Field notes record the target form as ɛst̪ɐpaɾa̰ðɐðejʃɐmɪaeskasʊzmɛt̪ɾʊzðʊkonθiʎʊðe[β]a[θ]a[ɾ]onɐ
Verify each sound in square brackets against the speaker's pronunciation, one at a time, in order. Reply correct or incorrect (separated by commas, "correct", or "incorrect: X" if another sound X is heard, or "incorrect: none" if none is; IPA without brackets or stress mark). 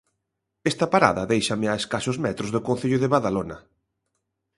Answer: correct, incorrect: ð, incorrect: l